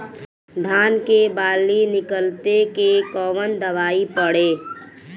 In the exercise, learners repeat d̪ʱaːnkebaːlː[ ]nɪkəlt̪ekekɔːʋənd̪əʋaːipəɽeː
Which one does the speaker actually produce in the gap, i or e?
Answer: i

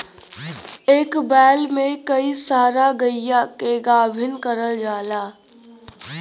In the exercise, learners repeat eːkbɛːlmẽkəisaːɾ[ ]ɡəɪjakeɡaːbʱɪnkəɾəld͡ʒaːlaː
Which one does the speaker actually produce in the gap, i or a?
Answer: a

